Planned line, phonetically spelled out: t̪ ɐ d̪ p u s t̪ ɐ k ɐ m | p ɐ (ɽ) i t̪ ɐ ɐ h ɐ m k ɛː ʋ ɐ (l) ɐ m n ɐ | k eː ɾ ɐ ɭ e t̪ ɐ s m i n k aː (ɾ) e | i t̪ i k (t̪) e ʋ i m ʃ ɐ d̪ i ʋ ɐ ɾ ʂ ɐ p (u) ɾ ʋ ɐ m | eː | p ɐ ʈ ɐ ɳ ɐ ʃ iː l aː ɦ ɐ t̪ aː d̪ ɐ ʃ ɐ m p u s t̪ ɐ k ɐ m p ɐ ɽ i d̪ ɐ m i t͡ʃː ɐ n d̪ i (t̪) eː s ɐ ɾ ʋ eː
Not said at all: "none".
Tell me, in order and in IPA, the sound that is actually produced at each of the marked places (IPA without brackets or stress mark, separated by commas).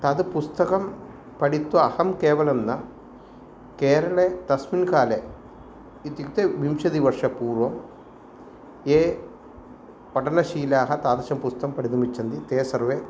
ɽ, l, l, t̪, uː, t̪